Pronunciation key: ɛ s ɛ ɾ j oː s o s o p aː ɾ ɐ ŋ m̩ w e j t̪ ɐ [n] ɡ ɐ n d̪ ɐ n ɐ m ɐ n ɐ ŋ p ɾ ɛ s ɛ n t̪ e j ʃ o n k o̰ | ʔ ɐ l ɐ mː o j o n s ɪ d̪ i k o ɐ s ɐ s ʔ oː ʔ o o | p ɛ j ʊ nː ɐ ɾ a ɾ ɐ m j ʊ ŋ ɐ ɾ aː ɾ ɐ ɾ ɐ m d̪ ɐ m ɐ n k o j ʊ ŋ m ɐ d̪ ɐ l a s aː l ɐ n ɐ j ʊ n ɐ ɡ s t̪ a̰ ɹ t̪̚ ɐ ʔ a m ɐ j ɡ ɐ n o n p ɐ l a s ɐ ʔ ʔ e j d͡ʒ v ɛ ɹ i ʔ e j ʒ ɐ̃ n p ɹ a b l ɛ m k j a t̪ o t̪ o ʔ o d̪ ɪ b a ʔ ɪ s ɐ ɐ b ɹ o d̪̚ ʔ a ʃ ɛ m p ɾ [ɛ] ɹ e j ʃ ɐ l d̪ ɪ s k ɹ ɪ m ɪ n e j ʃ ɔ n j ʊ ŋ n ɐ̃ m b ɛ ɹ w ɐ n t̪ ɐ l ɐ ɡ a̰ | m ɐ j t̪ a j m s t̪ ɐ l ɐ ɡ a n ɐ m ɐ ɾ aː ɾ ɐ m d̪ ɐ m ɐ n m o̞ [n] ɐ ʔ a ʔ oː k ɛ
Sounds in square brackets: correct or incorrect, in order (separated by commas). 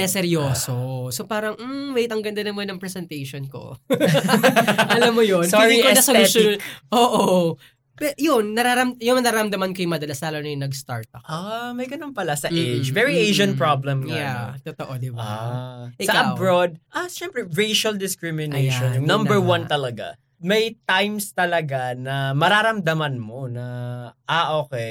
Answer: incorrect, correct, correct